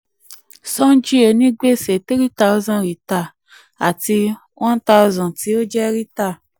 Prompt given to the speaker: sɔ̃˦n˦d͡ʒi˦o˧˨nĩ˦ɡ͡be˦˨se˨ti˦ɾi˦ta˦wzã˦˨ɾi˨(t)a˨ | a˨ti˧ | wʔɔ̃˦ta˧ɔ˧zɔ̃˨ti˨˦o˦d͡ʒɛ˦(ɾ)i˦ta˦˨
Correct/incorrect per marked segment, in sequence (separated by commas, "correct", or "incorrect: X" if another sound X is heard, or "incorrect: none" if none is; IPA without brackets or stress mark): correct, correct